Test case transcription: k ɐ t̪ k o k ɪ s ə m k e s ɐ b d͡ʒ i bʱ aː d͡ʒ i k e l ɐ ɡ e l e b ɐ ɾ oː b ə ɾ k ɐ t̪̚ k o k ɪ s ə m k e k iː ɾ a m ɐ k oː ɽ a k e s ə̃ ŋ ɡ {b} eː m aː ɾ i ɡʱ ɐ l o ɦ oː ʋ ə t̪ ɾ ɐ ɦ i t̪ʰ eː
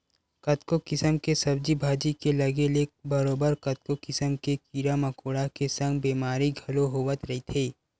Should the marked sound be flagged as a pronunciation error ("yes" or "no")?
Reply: no